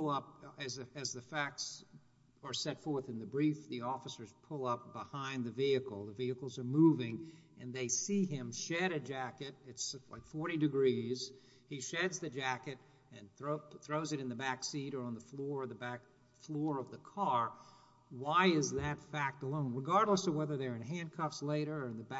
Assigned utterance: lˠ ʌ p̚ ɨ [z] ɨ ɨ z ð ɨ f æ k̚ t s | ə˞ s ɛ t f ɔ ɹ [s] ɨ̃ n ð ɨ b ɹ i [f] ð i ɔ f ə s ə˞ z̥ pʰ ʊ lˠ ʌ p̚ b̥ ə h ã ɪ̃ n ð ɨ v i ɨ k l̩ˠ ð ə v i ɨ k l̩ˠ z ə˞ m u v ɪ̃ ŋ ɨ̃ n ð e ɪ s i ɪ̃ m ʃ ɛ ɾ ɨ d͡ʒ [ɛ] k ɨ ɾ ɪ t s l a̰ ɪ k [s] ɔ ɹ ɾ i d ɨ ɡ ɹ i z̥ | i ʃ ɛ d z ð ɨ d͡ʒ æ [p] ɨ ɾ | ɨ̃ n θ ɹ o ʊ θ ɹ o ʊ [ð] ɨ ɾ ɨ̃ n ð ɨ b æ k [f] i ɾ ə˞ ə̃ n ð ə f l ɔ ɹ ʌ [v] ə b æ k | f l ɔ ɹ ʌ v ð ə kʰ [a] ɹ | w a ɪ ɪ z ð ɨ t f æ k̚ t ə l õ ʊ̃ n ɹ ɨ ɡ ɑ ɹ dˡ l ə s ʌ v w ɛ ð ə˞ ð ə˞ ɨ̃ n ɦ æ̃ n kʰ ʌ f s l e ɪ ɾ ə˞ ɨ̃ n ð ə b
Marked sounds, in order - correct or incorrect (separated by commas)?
correct, incorrect, correct, incorrect, incorrect, incorrect, incorrect, incorrect, incorrect, incorrect